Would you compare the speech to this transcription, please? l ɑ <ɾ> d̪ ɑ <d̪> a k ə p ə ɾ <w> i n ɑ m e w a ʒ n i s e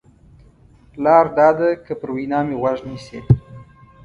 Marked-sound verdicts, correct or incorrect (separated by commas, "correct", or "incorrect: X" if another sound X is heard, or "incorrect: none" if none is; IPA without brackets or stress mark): correct, correct, correct